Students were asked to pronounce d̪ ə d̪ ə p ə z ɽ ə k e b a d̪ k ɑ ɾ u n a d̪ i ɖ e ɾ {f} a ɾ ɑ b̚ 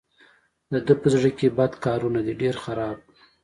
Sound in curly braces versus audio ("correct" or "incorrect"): incorrect